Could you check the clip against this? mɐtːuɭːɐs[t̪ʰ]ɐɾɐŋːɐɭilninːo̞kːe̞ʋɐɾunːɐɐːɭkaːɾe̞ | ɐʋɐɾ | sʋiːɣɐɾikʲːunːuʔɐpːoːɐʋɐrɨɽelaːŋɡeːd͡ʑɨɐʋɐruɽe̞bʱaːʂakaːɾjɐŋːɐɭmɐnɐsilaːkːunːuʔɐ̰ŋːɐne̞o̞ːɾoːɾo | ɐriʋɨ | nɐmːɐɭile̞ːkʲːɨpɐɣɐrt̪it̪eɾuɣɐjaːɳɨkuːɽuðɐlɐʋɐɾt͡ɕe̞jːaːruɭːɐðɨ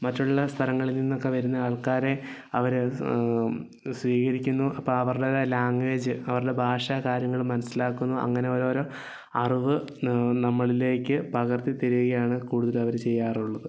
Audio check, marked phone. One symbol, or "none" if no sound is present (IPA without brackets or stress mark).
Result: t̪ʰ